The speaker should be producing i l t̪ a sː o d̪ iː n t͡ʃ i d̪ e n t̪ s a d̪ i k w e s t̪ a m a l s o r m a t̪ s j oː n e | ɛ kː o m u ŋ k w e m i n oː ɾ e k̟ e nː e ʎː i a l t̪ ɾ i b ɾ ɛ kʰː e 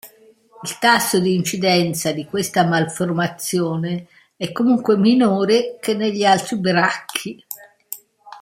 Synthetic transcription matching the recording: i l t̪ a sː o d̪ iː n t͡ʃ i d̪ ɛ n t̪ s a d̪ i k w e s t̪ a m a l f o r m a t̪ s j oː n e | ɛ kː o m u ŋ k w e m i n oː ɾ e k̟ e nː e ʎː i a l t̪ ɾ i b ɾ a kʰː i